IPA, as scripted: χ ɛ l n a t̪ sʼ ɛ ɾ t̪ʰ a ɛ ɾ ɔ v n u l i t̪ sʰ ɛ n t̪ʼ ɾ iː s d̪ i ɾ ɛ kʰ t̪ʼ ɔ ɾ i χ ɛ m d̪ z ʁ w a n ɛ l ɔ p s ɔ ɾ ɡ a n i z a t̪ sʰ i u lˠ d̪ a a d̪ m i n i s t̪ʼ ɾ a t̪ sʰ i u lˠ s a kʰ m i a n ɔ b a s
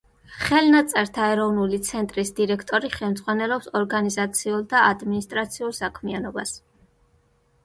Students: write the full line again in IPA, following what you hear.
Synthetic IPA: χ ɛ l n a t̪ sʼ ɛ ɾ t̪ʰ a ɛ ɾ ɔ v n u l i t̪ sʰ ɛ n t̪ʼ ɾ i s d̪ i ɾ ɛ kʰ t̪ʼ ɔ ɾ i χ ɛ m d̪ z ʁ w a n ɛ l ɔ p s ɔ ɾ ɡ a n i z a t̪ sʰ i u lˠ d̪ a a d̪ m i n i s t̪ʼ ɾ a t̪ sʰ i u lˠ s a kʰ m i a n ɔ b a s